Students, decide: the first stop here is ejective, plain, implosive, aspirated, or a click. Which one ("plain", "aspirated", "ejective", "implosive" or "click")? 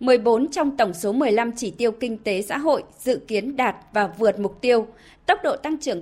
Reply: implosive